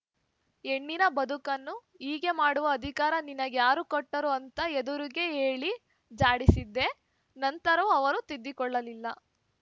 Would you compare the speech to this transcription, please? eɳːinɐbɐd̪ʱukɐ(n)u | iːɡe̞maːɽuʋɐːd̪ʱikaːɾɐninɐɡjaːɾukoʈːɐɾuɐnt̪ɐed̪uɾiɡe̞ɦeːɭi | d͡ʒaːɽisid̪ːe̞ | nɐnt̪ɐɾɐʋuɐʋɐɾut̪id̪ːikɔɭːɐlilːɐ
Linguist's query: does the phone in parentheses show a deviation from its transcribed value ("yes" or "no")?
yes